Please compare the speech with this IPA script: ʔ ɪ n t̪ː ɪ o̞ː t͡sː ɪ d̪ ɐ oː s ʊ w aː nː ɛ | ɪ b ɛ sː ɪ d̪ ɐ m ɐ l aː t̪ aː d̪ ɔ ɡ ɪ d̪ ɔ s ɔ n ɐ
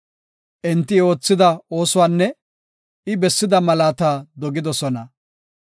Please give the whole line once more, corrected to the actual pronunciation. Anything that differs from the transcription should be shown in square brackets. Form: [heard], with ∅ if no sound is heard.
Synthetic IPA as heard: ʔ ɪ n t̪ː ɪ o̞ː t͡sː ɪ d̪ ɐ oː s ʊ w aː nː ɛ | ɪ b ɛ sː ɪ d̪ ɐ m ɐ l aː t̪ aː d̪ ɔ ɡ ɪ d̪ ɔ s ɔ n ɐ